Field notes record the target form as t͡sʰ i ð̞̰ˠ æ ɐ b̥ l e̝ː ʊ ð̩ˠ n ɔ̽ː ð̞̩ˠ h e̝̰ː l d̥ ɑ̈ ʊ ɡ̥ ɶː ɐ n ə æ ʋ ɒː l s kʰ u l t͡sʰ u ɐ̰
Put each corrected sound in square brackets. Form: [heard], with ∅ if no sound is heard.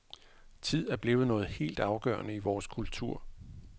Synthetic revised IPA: t͡sʰ i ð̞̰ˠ æ ɐ b̥ l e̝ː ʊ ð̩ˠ n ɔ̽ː ð̞̩ˠ h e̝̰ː l d̥ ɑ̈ ʊ ɡ̥ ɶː ɐ n ə [i] ʋ ɒː [∅] s kʰ u l t͡sʰ u ɐ̰